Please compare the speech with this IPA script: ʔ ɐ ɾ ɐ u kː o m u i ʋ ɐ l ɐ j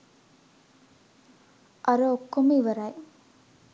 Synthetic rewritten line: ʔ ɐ ɾ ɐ o kː o m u i ʋ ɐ ɾ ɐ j

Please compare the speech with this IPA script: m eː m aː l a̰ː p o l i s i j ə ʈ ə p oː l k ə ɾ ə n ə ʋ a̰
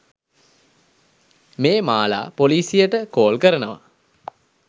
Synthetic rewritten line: m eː m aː l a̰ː p o l iː s i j ə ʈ ə k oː l k ə ɾ ə n ə ʋ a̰

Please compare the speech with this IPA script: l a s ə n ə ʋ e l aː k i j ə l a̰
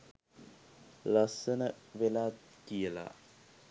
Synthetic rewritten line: l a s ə n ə ʋ e l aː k i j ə l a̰

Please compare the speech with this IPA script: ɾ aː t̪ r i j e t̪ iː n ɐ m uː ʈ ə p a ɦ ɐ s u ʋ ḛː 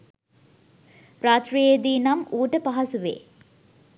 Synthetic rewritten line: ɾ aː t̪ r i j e d̪ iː n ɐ m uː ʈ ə p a ɦ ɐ s u ʋ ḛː

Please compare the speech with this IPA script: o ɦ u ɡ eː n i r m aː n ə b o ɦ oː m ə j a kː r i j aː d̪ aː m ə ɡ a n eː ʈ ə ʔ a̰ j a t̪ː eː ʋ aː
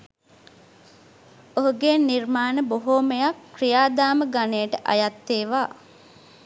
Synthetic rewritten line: o ɦ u ɡ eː n i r m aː n ə b o ɦ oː m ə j a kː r i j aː d̪ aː m ə ɡ a n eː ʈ ə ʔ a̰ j a t̪ː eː ʋ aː

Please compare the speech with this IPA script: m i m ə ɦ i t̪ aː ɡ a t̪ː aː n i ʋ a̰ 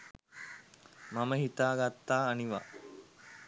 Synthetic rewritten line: m a m ə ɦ i t̪ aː ɡ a t̪ː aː n i ʋ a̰

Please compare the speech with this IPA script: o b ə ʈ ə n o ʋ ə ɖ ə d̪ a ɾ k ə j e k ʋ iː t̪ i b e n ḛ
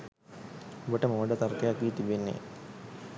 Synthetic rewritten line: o b ə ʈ ə m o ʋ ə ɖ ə t̪ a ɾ k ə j a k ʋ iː t̪ i b e nː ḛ

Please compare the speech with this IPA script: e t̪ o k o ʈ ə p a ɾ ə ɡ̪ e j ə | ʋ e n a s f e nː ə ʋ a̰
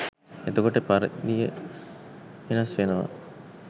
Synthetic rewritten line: e t̪ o k o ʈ ə p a ɾ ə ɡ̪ i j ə | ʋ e n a s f e n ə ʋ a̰

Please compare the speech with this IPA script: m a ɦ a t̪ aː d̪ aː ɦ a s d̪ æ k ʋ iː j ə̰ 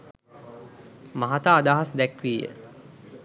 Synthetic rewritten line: m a ɦ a t̪ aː d̪ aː ɦ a s d̪ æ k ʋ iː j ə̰

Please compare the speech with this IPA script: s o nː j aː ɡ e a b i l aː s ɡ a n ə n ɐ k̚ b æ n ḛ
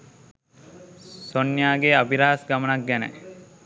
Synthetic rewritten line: s o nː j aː ɡ e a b i ɾ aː s ɡ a m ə n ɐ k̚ ɡ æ n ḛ

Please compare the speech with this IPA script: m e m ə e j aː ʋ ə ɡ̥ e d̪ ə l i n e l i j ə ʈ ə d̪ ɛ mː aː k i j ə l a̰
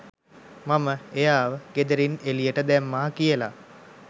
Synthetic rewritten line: m a m ə e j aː ʋ ə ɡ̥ e d̪ ə ɾ i n e l i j ə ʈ ə d̪ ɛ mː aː k i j ə l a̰

